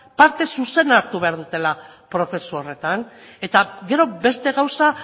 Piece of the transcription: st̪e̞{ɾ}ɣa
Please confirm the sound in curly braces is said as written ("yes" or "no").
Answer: no